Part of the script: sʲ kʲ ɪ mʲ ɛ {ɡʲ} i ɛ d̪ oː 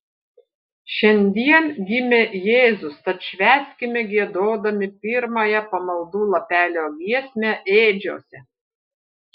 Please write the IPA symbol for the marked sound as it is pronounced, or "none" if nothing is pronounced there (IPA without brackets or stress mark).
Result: ɡʲ